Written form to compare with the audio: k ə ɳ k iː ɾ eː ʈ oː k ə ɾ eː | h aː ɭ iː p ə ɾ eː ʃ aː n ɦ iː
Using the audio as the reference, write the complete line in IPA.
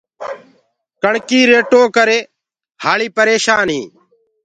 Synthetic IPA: k ə ɳ k iː ɾ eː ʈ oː k ə ɾ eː | h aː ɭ iː p ə ɾ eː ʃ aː n ɦ iː

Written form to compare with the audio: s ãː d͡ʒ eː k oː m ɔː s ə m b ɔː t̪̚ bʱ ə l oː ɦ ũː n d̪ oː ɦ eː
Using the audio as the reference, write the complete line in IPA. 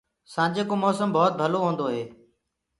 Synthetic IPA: s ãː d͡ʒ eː k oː m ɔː s ə m b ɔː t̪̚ bʱ ə l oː ɦ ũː n d̪ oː ɦ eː

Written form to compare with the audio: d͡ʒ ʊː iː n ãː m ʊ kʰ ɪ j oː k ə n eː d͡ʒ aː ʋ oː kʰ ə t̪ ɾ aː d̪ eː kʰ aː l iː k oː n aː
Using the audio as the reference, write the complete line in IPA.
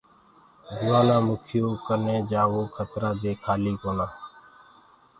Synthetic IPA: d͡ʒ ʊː aː n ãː m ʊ kʰ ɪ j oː k ə n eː d͡ʒ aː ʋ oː kʰ ə t̪ ɾ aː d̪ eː kʰ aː l iː k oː n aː

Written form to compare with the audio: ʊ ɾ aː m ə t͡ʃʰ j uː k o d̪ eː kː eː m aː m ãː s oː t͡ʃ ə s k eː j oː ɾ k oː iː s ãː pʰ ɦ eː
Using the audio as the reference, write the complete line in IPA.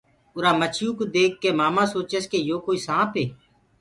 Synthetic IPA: ʊ ɾ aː m ə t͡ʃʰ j uː k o d̪ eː kː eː m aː m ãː s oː t͡ʃ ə s k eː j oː k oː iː s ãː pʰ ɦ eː

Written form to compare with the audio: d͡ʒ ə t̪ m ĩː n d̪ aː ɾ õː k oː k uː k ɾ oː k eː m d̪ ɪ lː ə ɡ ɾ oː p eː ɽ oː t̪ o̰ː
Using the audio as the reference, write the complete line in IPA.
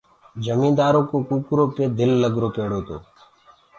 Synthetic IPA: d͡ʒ ə m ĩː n d̪ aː ɾ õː k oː k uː k ɾ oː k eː d̪ ɪ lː ə ɡ ɾ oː p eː ɽ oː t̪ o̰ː

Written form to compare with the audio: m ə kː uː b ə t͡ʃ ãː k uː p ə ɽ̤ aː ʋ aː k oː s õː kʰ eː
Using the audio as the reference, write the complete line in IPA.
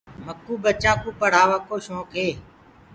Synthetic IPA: m ə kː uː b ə t͡ʃ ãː k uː p ə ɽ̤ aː ʋ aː k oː ʃ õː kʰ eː

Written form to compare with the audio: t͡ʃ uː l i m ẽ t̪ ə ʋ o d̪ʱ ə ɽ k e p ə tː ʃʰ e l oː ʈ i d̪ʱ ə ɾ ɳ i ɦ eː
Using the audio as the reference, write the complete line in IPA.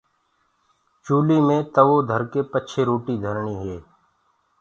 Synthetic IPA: t͡ʃ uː l i m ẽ t̪ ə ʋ o d̪ʱ ə ɾ k e p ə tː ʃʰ e ɾ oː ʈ i d̪ʱ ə ɾ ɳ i ɦ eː

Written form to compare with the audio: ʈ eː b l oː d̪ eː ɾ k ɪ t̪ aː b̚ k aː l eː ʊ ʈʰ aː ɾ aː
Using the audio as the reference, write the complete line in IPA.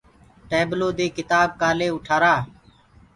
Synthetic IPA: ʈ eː b l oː d̪ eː k ɪ t̪ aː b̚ k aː l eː ʊ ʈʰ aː ɾ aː

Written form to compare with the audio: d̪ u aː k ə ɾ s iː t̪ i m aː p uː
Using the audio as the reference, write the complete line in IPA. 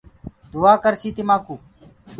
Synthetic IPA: d̪ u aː k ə ɾ s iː t̪ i m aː k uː

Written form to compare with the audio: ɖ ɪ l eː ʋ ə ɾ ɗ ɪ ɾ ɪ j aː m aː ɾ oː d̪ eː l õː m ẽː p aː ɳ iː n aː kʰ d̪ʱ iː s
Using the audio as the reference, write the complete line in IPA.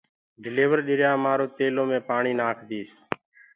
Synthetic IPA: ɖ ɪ l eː ʋ ə ɾ ɗ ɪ ɾ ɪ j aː m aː ɾ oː t̪ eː l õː m ẽː p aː ɳ iː n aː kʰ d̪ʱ iː s

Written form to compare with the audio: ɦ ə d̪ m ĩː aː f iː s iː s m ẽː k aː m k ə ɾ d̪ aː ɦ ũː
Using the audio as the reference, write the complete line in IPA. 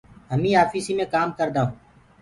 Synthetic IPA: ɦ ə m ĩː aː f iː s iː m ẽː k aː m k ə ɾ d̪ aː ɦ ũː

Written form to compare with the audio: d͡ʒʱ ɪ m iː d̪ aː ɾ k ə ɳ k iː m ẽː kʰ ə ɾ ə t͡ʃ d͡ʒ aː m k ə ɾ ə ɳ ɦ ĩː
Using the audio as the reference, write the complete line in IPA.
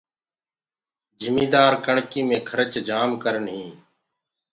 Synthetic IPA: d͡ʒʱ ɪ m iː d̪ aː ɾ k ə ɳ k iː m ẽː kʰ ə ɾ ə t͡ʃ d͡ʒ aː m k ə ɾ ə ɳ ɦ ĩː

